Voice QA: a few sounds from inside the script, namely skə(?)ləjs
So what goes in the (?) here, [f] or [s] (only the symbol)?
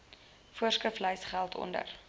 f